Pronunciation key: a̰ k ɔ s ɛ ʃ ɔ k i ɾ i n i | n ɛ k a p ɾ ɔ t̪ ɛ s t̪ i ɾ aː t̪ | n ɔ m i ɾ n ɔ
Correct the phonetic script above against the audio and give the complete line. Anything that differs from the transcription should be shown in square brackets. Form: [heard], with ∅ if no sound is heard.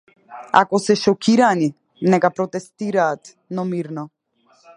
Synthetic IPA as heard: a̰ k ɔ s ɛ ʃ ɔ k i ɾ [a] n i | n ɛ k a p ɾ ɔ t̪ ɛ s t̪ i ɾ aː t̪ | n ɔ m i ɾ n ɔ